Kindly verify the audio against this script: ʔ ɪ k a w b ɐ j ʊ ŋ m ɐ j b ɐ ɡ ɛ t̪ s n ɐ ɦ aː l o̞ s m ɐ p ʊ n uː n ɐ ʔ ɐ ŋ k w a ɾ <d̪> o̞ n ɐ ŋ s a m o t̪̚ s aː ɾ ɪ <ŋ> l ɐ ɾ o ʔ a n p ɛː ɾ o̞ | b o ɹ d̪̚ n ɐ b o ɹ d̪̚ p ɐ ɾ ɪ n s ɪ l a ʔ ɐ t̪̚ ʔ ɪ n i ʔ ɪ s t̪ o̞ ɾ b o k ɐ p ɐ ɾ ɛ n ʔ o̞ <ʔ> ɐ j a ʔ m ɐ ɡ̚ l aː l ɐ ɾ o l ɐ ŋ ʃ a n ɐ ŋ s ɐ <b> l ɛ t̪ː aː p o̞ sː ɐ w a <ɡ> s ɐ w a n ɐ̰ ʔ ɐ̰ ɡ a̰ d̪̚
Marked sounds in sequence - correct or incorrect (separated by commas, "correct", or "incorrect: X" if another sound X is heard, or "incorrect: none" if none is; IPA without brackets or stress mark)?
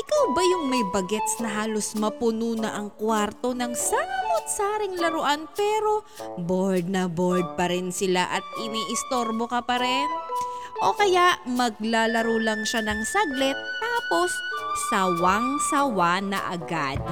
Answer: incorrect: t̪, correct, incorrect: k, incorrect: ɡ, incorrect: ŋ